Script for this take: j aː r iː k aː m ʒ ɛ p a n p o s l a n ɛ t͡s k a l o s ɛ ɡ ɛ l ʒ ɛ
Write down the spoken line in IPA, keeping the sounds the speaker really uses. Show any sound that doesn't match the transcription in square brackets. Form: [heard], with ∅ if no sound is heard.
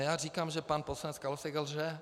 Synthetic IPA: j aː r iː k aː m ʒ ɛ p a n p o s l a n ɛ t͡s k a l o s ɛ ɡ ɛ l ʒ ɛ